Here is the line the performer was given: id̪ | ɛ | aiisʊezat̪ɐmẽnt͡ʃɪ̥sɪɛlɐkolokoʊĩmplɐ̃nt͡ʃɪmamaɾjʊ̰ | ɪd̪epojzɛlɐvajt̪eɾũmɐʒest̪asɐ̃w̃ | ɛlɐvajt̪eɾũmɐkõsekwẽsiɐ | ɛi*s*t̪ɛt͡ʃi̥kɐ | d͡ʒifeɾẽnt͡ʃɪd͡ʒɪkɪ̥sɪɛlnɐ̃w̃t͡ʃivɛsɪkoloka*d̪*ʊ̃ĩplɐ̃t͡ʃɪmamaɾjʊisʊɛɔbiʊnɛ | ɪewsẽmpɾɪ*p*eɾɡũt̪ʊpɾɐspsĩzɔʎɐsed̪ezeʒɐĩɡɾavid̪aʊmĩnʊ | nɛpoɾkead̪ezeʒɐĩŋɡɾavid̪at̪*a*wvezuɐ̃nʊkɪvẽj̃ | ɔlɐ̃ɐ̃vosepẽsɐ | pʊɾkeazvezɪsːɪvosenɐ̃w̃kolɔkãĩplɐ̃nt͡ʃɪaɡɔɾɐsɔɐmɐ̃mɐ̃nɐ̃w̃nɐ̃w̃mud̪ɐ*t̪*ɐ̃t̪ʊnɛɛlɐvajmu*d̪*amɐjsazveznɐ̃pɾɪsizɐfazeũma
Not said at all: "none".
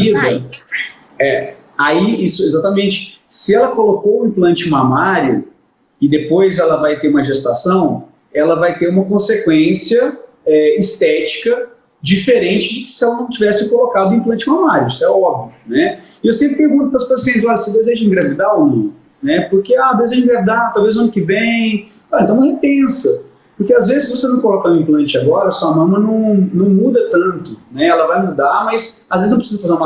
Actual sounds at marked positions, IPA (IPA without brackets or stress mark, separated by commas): s, d̪, p, a, t̪, d̪